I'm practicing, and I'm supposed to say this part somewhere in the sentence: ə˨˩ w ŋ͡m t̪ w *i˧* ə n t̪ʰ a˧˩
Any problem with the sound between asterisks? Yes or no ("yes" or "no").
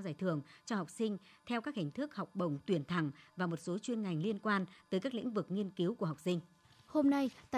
yes